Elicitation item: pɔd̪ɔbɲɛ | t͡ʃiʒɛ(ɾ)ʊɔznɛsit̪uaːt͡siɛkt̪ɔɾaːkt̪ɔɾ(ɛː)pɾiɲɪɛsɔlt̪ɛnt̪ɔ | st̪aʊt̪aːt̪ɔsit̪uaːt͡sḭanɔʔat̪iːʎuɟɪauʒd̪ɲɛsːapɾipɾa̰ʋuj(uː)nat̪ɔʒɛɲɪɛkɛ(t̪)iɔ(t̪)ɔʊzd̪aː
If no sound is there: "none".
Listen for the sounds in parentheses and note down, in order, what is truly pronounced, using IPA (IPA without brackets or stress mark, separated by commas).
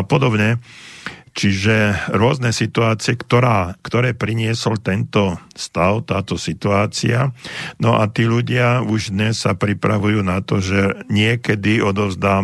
ɾ, ɛː, uː, d̪, d̪